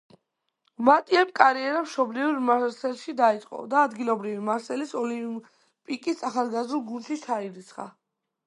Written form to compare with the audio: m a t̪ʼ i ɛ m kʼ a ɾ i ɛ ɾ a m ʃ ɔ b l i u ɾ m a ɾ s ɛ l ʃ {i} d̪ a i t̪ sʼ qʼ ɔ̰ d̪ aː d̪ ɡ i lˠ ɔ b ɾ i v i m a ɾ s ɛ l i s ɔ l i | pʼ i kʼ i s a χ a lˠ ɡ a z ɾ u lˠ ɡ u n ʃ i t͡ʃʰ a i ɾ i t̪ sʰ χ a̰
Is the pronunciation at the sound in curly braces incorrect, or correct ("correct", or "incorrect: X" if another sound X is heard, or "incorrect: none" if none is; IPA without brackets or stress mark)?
correct